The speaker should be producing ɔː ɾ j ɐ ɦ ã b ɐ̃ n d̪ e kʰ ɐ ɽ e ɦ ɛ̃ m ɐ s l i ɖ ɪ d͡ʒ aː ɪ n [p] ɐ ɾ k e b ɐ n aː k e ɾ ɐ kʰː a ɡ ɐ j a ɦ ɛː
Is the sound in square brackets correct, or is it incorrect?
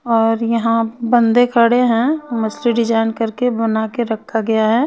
incorrect: k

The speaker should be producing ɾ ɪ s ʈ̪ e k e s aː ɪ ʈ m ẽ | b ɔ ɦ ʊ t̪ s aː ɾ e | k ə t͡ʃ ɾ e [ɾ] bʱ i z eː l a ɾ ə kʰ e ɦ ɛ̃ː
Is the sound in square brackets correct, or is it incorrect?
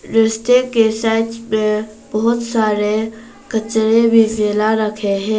incorrect: none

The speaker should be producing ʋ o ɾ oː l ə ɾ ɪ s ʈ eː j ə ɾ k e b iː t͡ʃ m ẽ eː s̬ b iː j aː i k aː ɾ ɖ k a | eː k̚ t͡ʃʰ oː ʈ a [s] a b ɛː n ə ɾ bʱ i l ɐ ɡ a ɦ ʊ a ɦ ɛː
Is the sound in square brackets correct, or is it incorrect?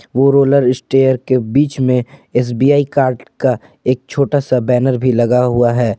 correct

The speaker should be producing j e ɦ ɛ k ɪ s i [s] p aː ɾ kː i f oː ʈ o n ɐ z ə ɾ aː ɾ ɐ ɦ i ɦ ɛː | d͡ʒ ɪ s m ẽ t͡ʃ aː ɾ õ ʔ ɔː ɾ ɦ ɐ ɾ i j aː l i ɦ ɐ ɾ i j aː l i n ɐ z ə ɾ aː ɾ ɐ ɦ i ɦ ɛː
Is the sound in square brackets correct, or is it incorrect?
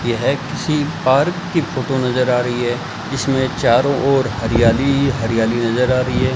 incorrect: none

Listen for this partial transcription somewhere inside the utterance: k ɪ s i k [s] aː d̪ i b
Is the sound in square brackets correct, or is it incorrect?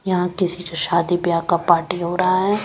incorrect: ʃ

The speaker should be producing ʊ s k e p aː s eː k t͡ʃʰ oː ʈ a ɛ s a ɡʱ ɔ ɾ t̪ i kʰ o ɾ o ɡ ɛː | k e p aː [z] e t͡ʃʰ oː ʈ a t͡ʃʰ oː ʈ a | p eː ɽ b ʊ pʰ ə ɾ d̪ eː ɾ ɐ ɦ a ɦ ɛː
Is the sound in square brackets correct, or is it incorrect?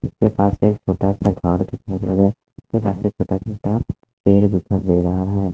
incorrect: s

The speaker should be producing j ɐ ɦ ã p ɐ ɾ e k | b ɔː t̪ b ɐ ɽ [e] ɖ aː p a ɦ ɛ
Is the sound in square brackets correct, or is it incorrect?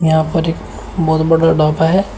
incorrect: a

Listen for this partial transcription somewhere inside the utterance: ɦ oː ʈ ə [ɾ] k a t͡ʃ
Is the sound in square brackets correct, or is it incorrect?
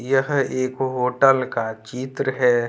incorrect: l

